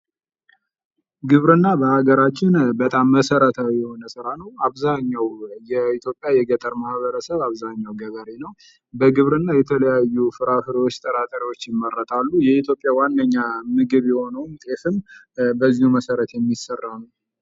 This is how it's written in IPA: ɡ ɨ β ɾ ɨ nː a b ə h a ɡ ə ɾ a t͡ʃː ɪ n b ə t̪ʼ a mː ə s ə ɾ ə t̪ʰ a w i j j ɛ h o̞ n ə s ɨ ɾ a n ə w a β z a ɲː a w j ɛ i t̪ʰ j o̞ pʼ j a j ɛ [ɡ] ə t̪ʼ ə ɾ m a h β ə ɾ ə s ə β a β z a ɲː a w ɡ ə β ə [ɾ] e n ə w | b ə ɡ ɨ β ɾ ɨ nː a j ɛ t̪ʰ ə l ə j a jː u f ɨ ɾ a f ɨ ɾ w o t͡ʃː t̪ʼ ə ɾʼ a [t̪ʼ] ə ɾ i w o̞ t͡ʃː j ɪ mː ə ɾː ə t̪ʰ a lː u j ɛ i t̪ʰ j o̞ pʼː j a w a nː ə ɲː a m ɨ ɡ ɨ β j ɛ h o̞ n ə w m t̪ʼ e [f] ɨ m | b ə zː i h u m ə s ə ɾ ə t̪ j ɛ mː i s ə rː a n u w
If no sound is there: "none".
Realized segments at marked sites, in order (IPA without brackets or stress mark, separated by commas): ɡ, ɾ, t̪ʼ, f